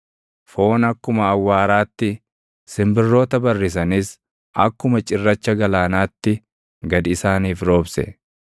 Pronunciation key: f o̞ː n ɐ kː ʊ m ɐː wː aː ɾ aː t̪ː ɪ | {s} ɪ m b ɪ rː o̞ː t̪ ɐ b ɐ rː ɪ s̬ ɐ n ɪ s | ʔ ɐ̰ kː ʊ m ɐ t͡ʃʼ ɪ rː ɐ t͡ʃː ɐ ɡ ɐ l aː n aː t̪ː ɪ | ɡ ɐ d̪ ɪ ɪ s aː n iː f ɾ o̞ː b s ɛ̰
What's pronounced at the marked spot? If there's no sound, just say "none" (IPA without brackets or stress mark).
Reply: s